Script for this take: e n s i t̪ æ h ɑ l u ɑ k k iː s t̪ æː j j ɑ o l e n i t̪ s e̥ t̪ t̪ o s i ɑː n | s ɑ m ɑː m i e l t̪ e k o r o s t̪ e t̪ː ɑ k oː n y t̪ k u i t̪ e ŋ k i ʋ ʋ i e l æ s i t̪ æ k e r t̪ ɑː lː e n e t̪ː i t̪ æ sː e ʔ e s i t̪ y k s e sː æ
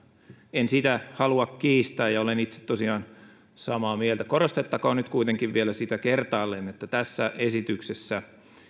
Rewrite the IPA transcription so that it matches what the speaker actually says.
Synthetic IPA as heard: e n s i t̪ æ h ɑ l u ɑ k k iː s t̪ æː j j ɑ o l e n i t̪ s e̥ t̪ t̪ o s i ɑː n | s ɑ m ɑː m i e l t̪ æ k o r o s t̪ e t̪ː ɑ k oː n y t̪ k u i t̪ e ŋ k i ʋ ʋ i e l æ s i t̪ æ k e r t̪ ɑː lː e n e t̪ː æ t̪ æ sː æ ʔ e s i t̪ y k s e sː æ